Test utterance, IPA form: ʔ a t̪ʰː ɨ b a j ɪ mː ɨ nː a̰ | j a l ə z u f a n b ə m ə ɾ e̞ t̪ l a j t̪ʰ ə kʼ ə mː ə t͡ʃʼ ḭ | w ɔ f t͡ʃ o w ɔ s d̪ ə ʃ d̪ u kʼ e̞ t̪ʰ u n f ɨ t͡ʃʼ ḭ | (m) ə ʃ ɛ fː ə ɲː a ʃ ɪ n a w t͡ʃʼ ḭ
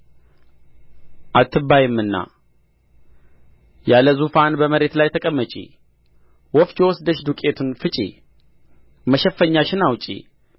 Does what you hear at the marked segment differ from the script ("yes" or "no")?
no